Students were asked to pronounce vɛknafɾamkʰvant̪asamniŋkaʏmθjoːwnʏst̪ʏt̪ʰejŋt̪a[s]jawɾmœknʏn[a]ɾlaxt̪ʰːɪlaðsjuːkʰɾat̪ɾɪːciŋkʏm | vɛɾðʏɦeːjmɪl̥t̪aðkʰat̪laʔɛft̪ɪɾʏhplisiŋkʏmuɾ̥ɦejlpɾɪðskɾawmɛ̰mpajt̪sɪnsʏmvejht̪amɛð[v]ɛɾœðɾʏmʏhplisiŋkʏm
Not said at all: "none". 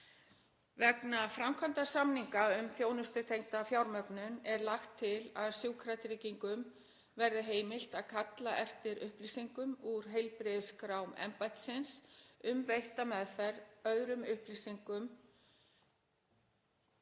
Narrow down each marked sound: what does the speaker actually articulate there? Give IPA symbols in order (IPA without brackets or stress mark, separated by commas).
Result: f, ɛ, f